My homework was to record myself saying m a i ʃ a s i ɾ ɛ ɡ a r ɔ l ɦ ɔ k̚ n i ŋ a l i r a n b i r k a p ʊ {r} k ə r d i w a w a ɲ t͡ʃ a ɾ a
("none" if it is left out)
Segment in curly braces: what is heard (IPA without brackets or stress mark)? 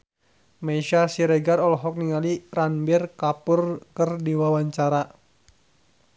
r